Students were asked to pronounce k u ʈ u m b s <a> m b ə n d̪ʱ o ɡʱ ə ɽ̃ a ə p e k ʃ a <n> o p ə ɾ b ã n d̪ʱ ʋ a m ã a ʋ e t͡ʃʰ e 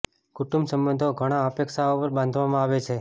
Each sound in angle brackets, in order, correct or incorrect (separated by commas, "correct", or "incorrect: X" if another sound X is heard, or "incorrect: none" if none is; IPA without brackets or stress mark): incorrect: ə, incorrect: none